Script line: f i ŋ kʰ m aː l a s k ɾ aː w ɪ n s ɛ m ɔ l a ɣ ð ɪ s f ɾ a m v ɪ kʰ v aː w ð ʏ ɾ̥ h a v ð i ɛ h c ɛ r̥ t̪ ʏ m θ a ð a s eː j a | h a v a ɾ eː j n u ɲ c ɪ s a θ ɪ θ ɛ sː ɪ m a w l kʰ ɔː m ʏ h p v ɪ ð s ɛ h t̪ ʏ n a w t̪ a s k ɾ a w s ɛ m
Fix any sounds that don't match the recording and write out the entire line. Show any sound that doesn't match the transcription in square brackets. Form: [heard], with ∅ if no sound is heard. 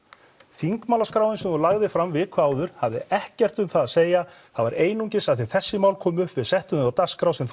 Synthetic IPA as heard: [θ] i ŋ [k] m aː l a s k ɾ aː w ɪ n s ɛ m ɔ l a ɣ ð ɪ [∅] f ɾ a m v ɪ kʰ v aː w ð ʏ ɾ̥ h a v ð [ɪ] ɛ h c ɛ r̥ t̪ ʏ m θ a ð a s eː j a | [θ] a v a ɾ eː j n u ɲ c ɪ s a θ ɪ θ ɛ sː ɪ m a w l kʰ ɔː m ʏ h p v ɪ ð s ɛ h t̪ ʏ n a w t̪ a s k ɾ a w s ɛ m